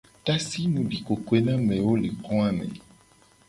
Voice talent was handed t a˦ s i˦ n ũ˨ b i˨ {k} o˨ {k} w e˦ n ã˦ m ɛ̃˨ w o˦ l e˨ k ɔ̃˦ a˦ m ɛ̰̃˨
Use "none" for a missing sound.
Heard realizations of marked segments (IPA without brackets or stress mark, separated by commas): k, k